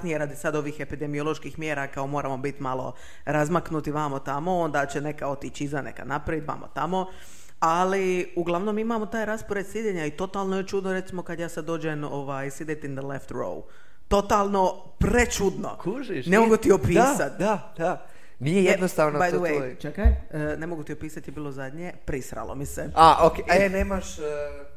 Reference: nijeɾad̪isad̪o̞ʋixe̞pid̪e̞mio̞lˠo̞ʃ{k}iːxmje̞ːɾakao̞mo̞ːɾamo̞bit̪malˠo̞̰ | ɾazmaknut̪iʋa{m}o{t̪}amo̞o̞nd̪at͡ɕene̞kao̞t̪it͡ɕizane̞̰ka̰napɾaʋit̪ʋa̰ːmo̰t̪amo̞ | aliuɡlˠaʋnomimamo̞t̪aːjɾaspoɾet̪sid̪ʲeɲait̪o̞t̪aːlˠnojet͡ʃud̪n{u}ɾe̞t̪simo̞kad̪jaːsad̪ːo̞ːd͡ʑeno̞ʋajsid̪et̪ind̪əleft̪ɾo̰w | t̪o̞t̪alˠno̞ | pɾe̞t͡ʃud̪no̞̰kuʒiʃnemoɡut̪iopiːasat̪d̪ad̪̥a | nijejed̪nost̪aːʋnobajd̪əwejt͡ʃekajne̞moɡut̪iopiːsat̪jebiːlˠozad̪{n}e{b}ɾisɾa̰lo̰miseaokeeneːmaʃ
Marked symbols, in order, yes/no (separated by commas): yes, yes, yes, no, no, no